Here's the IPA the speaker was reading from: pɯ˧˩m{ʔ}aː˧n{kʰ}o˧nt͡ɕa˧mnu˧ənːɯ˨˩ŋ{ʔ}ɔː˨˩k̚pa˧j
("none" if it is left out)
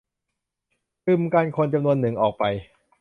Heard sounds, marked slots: k, kʰ, ʔ

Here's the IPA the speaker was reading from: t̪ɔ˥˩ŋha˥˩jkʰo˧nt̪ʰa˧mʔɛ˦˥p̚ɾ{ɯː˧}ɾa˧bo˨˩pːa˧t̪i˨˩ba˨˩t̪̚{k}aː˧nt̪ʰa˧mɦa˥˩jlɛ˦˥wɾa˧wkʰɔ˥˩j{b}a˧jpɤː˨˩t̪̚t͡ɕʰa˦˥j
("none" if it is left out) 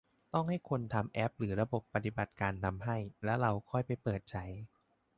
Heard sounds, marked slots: ɯː˩˦, k, p

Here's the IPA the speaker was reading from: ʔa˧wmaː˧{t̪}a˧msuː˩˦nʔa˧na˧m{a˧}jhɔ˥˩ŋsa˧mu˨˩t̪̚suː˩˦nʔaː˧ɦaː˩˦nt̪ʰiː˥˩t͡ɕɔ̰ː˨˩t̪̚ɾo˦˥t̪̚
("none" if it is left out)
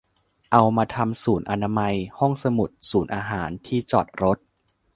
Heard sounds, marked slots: t̪ʰ, a˧

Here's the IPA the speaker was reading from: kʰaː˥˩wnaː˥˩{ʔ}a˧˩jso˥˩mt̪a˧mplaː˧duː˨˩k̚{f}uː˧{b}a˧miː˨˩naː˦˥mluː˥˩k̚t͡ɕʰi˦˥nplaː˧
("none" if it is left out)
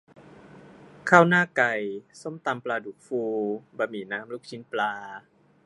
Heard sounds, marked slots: k, f, b

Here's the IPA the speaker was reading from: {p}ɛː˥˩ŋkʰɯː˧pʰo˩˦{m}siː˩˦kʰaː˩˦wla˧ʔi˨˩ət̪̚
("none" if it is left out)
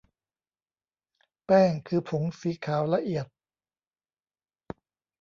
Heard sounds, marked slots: p, ŋ

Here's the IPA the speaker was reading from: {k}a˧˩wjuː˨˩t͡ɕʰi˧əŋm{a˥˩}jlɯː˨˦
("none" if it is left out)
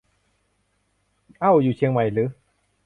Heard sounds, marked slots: ʔ, a˨˩

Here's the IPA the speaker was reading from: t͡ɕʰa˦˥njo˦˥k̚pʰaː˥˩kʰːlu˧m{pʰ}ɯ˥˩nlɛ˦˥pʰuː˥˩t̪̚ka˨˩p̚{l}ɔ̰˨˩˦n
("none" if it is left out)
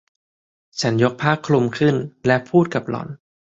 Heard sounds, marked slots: kʰ, l

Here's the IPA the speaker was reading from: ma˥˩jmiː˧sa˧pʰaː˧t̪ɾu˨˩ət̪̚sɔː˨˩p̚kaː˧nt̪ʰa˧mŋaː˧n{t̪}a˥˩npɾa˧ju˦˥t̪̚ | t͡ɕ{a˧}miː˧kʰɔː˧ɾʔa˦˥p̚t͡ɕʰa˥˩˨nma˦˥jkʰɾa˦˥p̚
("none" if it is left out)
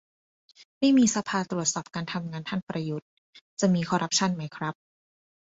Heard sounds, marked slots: t̪ʰ, a˨˩

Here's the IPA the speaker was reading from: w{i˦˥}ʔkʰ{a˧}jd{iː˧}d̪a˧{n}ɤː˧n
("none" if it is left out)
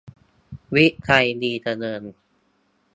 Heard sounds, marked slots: i˦˥, a˧, iː˧, n

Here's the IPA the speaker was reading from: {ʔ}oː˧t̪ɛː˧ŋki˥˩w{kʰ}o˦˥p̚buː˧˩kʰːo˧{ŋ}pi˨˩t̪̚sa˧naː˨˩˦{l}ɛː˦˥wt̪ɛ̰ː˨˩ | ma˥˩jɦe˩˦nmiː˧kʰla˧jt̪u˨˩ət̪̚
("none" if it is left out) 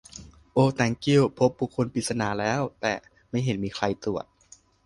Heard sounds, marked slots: ʔ, pʰ, n, l

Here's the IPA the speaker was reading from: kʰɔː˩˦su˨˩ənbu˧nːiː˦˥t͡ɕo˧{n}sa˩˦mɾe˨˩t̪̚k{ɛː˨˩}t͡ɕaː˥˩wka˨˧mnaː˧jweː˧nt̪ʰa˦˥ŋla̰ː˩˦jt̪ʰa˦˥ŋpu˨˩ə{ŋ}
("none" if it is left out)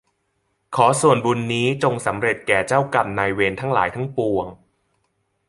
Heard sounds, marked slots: ŋ, ɛː˨˩, ŋ

